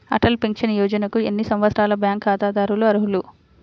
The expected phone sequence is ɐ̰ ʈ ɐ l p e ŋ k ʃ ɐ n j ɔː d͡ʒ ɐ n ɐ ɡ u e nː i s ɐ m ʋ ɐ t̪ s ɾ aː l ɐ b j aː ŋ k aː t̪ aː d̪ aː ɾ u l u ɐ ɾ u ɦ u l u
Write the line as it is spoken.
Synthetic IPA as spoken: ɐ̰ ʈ ɐ l p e ŋ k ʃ ɐ n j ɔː d͡ʒ ɐ n ɐ k u e nː i s ɐ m ʋ ɐ t̪ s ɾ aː l ɐ b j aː ŋ k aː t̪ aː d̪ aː ɾ u l u ɐ ɾ u ɦ u l u